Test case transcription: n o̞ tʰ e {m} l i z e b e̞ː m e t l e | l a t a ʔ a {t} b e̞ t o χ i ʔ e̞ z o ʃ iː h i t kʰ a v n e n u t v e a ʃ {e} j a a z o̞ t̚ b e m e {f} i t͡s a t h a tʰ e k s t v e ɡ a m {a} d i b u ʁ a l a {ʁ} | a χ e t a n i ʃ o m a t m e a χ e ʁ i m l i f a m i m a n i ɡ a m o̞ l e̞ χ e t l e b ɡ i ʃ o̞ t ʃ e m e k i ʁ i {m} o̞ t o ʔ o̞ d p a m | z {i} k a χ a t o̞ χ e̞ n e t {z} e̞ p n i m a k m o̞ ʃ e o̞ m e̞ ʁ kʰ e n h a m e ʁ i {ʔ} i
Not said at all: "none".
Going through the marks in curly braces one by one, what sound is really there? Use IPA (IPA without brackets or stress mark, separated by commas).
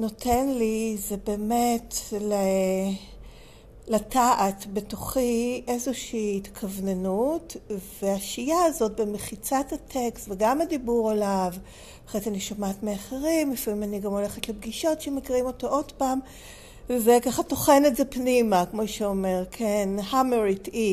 n, t, i, χ, a, v, m, e, z, t